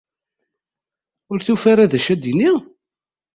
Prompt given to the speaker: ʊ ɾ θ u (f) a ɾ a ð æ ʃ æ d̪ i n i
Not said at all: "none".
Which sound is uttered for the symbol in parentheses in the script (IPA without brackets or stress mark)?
f